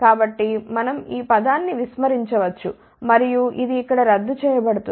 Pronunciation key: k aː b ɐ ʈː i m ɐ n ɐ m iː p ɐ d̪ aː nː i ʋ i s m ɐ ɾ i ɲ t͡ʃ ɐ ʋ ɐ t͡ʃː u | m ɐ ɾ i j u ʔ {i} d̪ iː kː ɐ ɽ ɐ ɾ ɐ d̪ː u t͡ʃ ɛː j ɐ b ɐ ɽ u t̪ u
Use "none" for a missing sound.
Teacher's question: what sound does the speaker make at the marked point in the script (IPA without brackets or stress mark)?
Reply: i